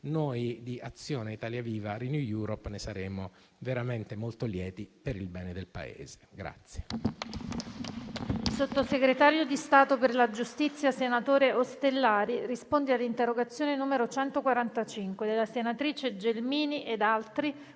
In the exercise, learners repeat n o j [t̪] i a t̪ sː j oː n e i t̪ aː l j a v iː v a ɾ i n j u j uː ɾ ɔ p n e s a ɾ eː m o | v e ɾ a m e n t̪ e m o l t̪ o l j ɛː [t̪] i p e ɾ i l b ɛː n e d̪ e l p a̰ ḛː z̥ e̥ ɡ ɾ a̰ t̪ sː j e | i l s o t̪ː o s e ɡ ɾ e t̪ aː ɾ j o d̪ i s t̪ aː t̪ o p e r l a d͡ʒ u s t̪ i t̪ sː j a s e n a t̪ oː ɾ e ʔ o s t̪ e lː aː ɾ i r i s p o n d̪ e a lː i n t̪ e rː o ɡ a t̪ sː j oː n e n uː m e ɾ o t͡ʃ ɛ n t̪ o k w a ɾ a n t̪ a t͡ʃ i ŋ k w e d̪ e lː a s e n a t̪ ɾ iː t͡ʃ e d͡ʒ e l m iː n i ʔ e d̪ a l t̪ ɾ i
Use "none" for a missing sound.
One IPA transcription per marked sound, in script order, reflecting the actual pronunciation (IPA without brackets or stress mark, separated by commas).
d̪, t̪